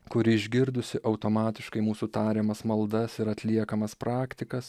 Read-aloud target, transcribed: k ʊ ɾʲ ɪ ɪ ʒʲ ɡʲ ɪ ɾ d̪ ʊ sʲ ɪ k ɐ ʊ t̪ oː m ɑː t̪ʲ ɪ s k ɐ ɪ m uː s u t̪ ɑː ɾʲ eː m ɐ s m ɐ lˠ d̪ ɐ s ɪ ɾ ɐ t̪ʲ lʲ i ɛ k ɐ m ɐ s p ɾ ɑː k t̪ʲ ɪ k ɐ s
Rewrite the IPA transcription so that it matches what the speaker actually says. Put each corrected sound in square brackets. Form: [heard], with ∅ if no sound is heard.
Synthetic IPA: k ʊ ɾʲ ɪ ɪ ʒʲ ɡʲ ɪ ɾ d̪ ʊ sʲ ɪ [ʔ] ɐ ʊ t̪ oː m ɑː t̪ʲ ɪ [ʃ] k ɐ ɪ m uː s u t̪ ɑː ɾʲ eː m ɐ s m ɐ lˠ d̪ ɐ s ɪ ɾ ɐ t̪ʲ lʲ i ɛ k ɐ m ɐ s p ɾ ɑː k t̪ʲ ɪ k ɐ s

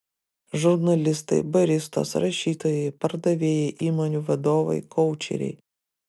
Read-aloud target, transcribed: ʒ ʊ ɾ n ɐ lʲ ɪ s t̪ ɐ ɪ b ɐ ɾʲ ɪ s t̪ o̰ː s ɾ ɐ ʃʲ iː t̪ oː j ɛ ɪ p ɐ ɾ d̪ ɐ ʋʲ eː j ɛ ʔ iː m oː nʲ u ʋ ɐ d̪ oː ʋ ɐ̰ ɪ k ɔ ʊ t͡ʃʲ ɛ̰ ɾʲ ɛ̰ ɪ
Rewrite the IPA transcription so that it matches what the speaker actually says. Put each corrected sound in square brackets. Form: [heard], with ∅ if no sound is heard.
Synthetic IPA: ʒ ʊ ɾ n ɐ lʲ ɪ s t̪ ɐ ɪ b ɐ ɾʲ ɪ s t̪ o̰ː s ɾ ɐ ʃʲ iː t̪ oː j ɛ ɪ p ɐ ɾ d̪ ɐ ʋʲ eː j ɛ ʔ iː m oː nʲ u ʋ ɐ d̪ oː ʋ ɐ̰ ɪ k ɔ ʊ t͡ʃʲ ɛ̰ ɾʲ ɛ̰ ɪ

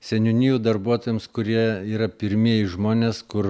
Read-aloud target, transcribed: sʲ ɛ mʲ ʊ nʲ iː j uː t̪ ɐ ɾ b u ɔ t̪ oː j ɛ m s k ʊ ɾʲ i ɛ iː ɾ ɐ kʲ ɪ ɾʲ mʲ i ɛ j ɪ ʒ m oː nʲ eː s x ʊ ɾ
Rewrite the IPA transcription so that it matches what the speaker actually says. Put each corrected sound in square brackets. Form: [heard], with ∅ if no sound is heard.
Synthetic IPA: sʲ ɛ [nʲ] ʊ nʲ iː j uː [d̪] ɐ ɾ b u ɔ t̪ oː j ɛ m s k ʊ ɾʲ i ɛ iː ɾ ɐ [pʲ] ɪ ɾʲ mʲ i ɛ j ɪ ʒ m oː nʲ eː s [k] ʊ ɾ

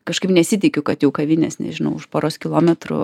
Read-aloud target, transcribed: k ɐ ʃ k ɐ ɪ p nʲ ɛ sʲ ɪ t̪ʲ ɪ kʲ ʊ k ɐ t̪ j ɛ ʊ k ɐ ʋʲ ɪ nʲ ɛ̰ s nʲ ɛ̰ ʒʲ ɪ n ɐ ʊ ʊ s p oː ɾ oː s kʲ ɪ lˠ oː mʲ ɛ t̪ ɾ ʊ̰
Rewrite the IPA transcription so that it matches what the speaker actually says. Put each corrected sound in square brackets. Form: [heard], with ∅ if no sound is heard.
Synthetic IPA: k ɐ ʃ k ɐ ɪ p nʲ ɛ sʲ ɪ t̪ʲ ɪ kʲ ʊ k ɐ t̪ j ɛ ʊ k ɐ ʋʲ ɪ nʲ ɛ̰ s nʲ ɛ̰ ʒʲ ɪ n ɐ ʊ ʊ [ʃ] p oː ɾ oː s kʲ ɪ lˠ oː mʲ ɛ t̪ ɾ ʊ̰

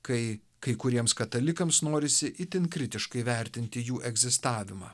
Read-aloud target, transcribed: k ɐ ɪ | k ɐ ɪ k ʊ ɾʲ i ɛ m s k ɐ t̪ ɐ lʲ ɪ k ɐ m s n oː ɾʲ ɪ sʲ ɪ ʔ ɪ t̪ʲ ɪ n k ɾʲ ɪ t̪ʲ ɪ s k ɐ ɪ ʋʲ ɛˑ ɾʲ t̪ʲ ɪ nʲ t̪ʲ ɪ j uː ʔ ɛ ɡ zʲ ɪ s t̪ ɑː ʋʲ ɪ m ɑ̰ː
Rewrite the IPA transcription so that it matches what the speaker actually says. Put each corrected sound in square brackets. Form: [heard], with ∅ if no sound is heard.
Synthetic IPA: k ɐ ɪ | k ɐ ɪ k ʊ ɾʲ i ɛ m s k ɐ t̪ ɐ lʲ ɪ k ɐ m s n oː ɾʲ ɪ sʲ ɪ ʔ ɪ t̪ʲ ɪ n k ɾʲ ɪ t̪ʲ ɪ [ʃ] k ɐ ɪ ʋʲ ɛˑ ɾʲ t̪ʲ ɪ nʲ t̪ʲ ɪ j uː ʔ ɛ ɡ zʲ ɪ s t̪ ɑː ʋʲ ɪ m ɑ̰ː

